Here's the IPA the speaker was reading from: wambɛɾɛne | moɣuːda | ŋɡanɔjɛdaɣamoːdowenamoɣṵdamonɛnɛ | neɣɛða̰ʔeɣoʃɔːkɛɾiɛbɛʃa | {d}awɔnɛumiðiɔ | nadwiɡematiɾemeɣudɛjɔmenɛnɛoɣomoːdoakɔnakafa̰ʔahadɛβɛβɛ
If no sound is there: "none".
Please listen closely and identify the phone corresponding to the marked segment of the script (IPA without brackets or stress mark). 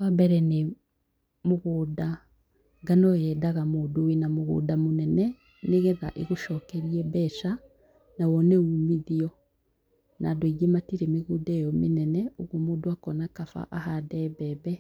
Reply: n